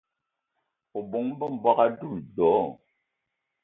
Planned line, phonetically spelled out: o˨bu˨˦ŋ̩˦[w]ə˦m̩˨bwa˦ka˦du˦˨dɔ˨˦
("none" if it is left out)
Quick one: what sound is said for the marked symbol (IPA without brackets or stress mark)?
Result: b